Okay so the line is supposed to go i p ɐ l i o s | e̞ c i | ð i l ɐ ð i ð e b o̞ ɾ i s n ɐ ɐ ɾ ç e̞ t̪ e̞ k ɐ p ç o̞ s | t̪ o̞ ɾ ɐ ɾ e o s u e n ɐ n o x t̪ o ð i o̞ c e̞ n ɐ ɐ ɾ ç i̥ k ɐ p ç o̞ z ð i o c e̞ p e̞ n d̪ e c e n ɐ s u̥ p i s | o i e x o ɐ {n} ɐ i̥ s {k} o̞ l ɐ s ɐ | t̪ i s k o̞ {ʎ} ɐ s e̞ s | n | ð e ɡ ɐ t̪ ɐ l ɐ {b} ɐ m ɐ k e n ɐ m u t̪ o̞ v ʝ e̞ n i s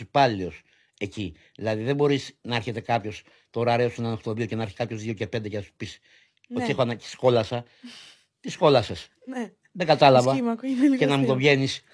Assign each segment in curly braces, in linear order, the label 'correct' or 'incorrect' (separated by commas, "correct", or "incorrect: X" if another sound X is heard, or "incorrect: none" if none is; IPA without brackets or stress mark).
correct, correct, incorrect: l, incorrect: v